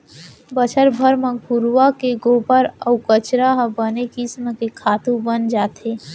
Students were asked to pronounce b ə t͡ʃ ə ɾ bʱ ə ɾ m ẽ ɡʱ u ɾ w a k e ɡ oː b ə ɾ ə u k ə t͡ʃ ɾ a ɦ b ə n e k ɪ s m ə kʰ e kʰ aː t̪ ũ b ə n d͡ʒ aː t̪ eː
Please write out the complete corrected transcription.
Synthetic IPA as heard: b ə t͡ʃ ə ɾ bʱ ə ɾ m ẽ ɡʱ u ɾ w a k e ɡ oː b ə ɾ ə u k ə t͡ʃ ɾ a ɦ b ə n e k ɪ s m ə k e kʰ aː t̪ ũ b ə n d͡ʒ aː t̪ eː

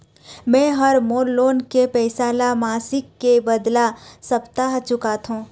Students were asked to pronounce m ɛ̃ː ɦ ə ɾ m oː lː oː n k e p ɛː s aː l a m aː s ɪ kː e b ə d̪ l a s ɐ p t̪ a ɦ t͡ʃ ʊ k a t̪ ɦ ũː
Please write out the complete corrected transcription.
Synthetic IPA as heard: m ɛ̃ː ɦ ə ɾ m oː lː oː n k e p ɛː s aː l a m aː s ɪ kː e b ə d̪ l a s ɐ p t̪ a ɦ t͡ʃ ʊ k a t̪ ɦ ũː

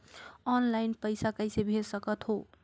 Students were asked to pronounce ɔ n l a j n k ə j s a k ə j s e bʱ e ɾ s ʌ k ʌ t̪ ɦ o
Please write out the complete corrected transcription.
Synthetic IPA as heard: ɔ n l a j n p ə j s a k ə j s e bʱ e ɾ s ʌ k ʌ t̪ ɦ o

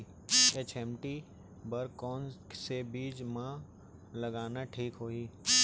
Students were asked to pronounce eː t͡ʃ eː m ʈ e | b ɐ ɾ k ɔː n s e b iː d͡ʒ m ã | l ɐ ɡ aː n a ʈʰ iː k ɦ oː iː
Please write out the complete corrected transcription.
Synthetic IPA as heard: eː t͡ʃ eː m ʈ i | b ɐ ɾ k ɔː n s e b iː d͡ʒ m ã | l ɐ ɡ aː n a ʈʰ iː k ɦ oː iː

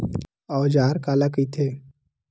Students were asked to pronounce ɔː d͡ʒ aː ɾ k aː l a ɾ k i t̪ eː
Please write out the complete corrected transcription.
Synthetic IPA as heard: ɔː d͡ʒ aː ɾ k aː l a k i t̪ʰ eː

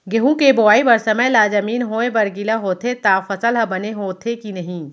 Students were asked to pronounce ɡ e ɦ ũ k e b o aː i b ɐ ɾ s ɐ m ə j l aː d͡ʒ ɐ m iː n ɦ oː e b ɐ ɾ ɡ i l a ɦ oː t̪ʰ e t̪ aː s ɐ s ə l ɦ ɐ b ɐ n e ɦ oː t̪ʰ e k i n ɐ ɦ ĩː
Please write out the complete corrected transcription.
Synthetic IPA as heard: ɡ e ɦ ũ k e b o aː i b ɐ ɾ s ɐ m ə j l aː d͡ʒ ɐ m iː n ɦ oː e b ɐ ɾ ɡ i l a ɦ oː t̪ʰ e t̪ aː f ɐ s ə l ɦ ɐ b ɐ n e ɦ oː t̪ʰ e k i n ɐ ɦ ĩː

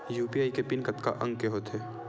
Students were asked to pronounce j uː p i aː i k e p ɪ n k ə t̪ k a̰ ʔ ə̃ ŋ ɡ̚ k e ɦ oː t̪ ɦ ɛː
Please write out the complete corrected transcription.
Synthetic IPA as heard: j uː p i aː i k e p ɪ n k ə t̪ k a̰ ʔ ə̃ ŋ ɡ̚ k e ɦ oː t̪ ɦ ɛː

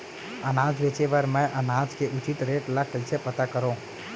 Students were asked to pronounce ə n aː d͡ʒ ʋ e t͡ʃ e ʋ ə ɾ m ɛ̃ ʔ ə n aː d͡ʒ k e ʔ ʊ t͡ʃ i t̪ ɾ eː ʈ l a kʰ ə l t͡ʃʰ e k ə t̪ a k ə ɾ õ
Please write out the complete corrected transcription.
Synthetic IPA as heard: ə n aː d͡ʒ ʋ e t͡ʃ e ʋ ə ɾ m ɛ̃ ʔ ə n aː d͡ʒ k e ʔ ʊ t͡ʃ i t̪ ɾ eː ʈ l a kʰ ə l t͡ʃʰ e p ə t̪ a k ə ɾ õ

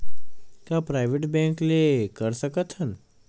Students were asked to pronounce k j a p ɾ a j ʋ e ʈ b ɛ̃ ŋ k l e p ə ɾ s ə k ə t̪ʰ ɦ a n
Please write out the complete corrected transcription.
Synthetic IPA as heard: k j a p ɾ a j ʋ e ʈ b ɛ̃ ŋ k l e k ə ɾ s ə k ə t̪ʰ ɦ ə n

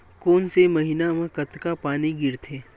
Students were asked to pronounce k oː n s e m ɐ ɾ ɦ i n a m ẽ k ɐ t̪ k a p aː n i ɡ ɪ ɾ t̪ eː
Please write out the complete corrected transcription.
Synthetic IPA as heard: k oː n s e m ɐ ɦ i n a m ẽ k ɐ t̪ k a p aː n i ɡ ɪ ɾ t̪ʰ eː

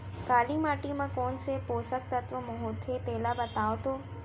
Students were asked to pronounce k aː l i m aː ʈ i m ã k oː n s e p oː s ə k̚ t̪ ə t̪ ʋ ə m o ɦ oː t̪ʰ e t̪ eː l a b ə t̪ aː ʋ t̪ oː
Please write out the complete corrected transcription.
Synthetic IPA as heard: k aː l i m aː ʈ i m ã k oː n s e p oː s ə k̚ t̪ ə t̪ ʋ ə m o ɦ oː t̪ʰ e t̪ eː l a b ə t̪ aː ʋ t̪ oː

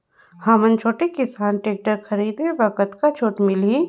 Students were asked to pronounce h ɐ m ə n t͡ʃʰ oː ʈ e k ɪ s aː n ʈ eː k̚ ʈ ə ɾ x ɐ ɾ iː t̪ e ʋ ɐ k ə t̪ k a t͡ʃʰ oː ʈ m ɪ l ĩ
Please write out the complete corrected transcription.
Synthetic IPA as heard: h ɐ m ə n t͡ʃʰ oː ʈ e k ɪ s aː n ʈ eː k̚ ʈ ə ɾ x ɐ ɾ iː d̪ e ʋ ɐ k ə t̪ k a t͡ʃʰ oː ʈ m ɪ l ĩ

